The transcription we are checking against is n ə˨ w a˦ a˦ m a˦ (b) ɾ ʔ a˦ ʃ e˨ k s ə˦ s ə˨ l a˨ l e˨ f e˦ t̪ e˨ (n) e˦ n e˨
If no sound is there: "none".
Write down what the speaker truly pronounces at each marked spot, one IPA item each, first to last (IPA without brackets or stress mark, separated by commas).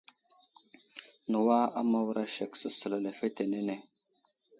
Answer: w, n